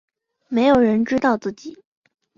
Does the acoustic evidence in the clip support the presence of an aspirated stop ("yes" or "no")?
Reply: no